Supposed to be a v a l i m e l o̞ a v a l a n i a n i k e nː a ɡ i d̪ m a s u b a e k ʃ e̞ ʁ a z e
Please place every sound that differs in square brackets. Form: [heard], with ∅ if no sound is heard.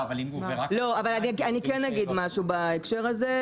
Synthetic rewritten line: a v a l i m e l o̞ a v a l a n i a n i k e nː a ɡ i d̪ m a [ʃ] u b a e k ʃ e̞ ʁ a z e